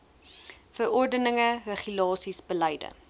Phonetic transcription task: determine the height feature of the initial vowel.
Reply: mid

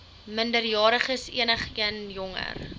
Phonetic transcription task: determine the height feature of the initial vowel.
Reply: mid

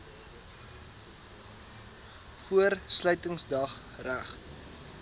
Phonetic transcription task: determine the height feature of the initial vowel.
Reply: high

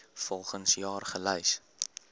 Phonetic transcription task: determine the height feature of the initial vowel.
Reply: mid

